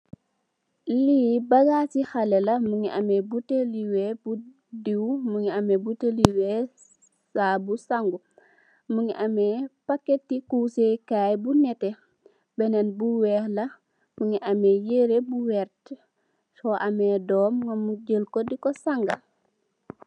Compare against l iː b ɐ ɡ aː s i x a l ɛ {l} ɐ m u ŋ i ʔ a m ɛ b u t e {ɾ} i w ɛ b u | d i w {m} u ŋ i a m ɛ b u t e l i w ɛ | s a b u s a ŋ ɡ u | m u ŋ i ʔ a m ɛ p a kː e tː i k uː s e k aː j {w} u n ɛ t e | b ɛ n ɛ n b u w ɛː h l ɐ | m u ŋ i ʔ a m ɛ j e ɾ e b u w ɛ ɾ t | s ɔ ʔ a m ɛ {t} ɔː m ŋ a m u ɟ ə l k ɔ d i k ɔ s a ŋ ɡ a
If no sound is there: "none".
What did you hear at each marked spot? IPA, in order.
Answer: l, l, m, b, d

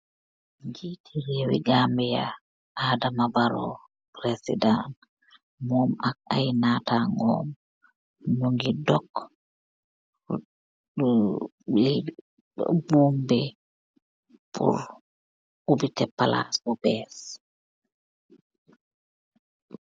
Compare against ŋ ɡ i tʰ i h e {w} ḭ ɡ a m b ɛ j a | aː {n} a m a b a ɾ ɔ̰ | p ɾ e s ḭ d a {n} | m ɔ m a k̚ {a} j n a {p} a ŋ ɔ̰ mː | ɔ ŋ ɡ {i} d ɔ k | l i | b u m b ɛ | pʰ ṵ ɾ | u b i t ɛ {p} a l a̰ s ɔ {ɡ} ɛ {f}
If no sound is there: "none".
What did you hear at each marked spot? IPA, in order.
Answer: w, d, n, a, t, i, p, b, s

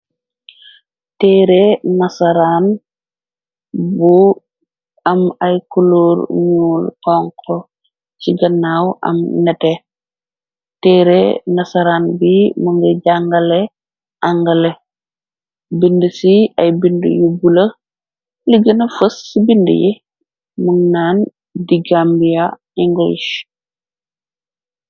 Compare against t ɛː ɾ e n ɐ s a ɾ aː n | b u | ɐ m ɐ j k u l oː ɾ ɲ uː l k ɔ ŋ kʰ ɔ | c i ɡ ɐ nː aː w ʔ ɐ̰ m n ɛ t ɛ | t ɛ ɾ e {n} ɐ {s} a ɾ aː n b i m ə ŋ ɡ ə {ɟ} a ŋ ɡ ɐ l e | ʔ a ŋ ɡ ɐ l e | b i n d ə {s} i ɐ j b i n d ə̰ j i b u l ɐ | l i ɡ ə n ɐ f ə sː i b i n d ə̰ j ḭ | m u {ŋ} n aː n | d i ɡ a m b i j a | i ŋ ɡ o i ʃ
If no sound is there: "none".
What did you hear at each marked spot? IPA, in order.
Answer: n, s, ɟ, s, ŋ

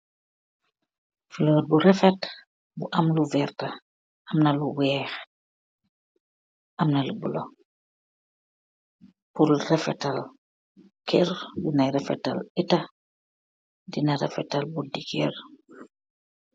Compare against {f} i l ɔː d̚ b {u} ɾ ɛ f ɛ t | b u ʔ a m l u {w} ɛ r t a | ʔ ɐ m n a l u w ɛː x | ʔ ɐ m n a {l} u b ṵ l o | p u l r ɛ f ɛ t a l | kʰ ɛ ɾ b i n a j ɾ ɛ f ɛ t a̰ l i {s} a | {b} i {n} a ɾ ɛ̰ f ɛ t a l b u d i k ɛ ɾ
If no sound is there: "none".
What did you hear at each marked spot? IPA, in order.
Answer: f, u, v, l, t, d, n

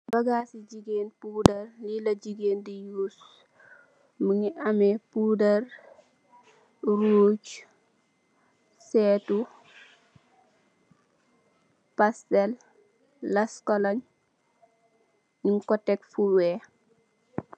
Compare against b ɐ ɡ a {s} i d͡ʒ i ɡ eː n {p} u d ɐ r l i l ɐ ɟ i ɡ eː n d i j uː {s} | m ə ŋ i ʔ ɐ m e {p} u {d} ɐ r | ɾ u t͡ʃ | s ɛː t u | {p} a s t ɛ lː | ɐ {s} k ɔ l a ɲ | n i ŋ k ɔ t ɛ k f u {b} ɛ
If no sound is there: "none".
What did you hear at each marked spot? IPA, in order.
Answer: s, p, s, p, d, p, s, w

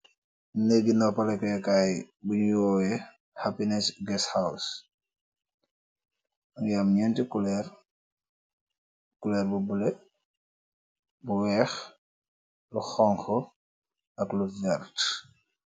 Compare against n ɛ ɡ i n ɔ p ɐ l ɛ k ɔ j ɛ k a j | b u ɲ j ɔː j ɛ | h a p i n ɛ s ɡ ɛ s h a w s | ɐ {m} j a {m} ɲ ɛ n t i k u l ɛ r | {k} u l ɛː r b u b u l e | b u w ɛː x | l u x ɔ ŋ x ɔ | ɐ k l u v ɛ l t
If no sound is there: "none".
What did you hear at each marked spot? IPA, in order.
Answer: ŋ, m, k

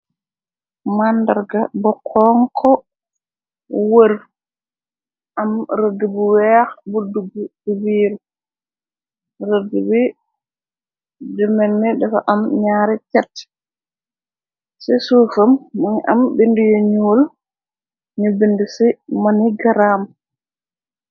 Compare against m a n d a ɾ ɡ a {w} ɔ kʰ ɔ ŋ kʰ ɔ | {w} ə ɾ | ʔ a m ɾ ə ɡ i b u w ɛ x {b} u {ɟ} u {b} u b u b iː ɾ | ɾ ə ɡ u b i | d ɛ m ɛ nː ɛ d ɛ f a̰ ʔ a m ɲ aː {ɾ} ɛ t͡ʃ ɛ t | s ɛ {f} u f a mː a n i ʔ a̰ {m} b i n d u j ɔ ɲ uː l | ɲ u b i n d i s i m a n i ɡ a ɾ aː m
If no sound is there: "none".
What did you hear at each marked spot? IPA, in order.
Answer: b, w, b, d, ɡ, ɾ, s, m

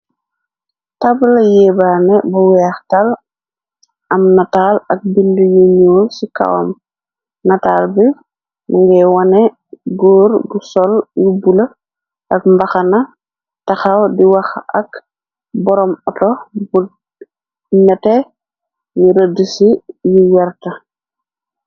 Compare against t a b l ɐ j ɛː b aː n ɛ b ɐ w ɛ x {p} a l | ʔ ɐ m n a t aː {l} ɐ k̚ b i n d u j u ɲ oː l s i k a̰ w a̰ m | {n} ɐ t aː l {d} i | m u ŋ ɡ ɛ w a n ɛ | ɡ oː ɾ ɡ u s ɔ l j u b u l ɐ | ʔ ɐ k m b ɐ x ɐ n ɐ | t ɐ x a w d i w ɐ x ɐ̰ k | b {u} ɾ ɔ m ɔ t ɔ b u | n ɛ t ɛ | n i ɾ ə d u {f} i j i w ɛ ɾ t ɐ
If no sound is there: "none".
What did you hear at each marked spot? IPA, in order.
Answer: t, l, n, b, ɔ, s

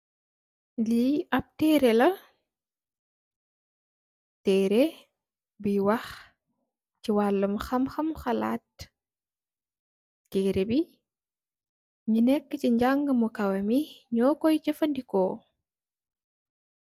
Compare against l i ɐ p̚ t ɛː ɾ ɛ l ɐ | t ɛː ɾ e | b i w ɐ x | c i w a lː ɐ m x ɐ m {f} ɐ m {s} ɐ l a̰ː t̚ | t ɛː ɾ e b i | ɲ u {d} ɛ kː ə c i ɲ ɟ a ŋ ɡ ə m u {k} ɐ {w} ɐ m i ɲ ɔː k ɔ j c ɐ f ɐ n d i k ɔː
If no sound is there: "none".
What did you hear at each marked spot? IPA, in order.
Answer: x, x, n, k, w

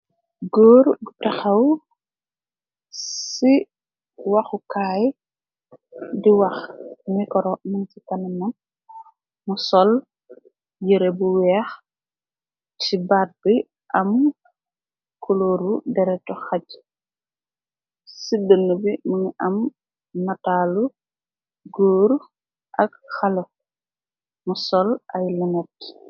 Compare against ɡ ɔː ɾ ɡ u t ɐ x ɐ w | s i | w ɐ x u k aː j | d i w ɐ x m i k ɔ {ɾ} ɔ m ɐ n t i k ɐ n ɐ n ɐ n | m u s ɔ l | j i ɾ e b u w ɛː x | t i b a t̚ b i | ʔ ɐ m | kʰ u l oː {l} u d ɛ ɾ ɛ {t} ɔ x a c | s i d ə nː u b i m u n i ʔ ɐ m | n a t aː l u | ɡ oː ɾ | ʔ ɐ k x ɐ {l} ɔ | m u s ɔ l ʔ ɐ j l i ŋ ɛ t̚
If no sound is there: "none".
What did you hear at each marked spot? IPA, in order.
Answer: ɾ, ɾ, t, l

